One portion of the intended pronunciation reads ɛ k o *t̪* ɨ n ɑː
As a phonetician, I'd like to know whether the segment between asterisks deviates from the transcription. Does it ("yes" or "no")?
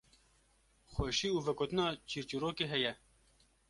no